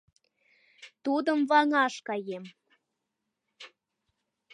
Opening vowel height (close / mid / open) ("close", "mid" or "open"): close